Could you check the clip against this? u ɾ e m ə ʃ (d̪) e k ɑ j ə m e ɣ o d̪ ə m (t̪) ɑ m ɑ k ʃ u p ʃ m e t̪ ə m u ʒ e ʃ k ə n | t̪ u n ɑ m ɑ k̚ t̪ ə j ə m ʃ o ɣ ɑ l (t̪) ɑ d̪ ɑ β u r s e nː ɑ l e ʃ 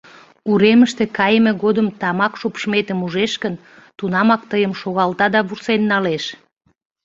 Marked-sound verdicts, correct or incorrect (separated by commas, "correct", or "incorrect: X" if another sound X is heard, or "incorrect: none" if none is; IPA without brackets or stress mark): incorrect: t̪, correct, correct